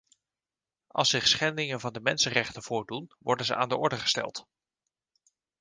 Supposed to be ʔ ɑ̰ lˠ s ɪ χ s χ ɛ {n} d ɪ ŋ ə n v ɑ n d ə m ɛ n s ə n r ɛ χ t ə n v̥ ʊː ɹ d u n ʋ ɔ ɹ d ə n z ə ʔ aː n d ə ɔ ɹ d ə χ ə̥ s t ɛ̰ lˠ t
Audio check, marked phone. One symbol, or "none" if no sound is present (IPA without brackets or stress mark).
n